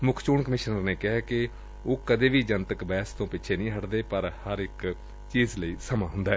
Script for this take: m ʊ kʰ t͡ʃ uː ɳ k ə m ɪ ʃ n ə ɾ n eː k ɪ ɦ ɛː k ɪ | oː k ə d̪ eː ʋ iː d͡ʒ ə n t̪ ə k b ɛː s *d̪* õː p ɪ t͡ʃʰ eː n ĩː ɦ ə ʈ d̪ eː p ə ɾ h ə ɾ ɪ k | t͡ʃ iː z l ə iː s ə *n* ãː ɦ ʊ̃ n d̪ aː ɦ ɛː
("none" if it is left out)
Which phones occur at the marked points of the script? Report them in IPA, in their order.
t̪, m

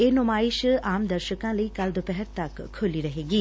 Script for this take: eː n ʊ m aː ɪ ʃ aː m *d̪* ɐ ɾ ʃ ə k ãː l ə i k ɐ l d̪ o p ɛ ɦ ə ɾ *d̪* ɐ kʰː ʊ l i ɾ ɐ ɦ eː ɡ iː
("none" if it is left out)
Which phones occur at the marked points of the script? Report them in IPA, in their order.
d̪, t̪

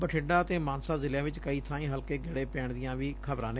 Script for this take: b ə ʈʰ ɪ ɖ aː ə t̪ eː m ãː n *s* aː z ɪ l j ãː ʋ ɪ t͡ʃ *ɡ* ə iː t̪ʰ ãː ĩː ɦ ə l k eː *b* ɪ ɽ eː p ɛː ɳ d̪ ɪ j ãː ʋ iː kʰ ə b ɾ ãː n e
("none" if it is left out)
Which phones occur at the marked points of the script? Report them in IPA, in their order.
s, k, ɡ

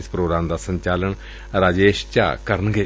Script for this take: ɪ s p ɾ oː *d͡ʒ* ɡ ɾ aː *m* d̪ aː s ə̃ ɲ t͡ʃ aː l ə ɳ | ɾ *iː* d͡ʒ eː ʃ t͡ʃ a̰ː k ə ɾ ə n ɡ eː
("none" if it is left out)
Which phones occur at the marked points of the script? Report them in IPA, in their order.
none, m, aː

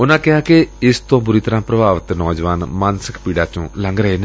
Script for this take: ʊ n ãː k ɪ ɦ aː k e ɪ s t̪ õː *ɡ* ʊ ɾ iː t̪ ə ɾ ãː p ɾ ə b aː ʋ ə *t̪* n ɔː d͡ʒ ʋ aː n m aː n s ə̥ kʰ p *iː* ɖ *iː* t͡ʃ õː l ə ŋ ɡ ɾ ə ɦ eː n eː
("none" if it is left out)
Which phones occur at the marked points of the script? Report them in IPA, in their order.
b, t̪, iː, aː

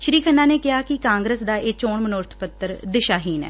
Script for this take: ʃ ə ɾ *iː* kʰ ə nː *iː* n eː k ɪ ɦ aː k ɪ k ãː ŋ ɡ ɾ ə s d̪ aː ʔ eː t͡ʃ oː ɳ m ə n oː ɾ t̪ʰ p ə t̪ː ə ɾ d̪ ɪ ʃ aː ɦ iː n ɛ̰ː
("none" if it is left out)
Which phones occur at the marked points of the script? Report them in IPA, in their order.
iː, aː

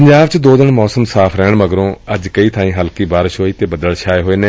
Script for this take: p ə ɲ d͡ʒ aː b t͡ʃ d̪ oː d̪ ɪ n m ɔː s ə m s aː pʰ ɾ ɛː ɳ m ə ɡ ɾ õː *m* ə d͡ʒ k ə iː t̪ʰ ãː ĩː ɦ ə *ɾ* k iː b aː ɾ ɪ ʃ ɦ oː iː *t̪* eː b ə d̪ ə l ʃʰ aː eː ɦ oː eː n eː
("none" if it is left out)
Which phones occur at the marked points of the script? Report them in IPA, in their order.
none, l, t̪

